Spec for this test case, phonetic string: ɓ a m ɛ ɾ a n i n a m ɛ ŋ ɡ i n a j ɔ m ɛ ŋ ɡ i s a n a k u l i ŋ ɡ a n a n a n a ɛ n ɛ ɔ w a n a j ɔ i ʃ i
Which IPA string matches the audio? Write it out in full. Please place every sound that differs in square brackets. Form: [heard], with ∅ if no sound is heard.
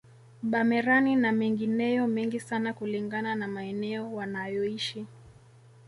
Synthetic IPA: ɓ a m ɛ ɾ a n i n a m ɛ ŋ ɡ i n [ɛ] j ɔ m ɛ ŋ ɡ i s a n a k u l i ŋ ɡ a n a n a [m] a ɛ n ɛ ɔ w a n a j ɔ i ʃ i